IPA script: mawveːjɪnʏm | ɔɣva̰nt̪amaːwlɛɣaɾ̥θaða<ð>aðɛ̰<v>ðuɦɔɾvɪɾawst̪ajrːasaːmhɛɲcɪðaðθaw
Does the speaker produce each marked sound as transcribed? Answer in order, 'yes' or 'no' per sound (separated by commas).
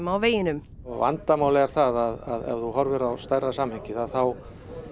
yes, yes